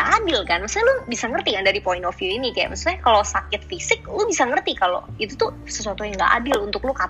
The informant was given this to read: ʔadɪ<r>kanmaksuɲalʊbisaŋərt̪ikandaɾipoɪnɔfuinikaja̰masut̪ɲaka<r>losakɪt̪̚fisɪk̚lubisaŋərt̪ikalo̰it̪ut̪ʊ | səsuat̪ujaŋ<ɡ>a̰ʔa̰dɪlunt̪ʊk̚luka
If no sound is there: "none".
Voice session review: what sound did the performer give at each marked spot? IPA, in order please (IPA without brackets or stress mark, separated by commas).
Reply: l, none, ɡ